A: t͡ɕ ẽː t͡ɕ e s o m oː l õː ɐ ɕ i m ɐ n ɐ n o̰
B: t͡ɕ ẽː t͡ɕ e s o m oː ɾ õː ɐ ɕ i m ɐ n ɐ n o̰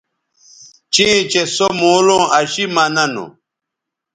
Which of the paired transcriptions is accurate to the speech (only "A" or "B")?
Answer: A